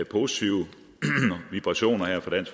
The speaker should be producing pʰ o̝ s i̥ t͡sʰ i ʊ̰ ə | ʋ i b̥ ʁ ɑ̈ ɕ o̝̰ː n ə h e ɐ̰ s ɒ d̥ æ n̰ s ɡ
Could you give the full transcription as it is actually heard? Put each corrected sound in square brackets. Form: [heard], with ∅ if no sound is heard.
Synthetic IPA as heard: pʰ o̝ s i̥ t͡sʰ i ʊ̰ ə | ʋ i b̥ ʁ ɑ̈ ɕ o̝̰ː n [ɐ] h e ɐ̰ [f] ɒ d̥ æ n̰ s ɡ